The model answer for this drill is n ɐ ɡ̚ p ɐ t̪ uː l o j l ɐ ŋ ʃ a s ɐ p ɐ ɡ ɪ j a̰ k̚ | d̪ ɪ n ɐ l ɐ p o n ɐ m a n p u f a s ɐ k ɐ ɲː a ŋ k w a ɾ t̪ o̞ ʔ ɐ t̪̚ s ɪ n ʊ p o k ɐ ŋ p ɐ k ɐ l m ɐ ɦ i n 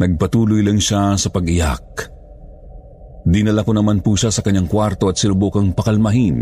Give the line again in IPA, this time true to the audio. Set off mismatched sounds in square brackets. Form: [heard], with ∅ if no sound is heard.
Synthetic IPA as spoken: n ɐ ɡ̚ p ɐ t̪ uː l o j l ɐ ŋ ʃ a s ɐ p ɐ ɡ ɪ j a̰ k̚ | d̪ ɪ n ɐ l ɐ [k] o n ɐ m a n p u [ʃ] a s ɐ k ɐ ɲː a ŋ k w a ɾ t̪ o̞ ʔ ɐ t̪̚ s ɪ n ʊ [b] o k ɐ ŋ p ɐ k ɐ l m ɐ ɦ i n